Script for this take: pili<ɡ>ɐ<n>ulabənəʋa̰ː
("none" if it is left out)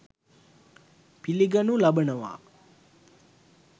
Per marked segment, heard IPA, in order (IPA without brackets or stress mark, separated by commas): ɡ, n